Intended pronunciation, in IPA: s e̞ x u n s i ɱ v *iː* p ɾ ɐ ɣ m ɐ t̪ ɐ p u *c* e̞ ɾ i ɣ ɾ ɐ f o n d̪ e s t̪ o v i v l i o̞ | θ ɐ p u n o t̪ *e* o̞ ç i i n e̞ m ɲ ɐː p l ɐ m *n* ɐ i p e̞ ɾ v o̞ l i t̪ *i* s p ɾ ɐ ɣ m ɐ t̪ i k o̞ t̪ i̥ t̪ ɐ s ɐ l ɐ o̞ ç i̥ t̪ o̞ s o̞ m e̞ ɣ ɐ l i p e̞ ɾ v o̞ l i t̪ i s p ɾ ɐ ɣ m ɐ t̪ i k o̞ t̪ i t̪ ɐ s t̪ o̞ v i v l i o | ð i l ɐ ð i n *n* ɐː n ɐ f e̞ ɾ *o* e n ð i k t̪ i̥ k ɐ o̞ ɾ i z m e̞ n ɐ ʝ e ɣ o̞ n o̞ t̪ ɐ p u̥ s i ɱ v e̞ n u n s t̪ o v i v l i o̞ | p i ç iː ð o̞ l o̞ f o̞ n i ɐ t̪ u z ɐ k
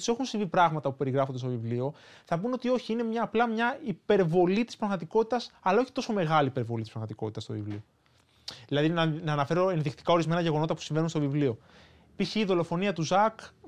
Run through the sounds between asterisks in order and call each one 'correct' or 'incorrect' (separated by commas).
incorrect, incorrect, incorrect, incorrect, correct, correct, correct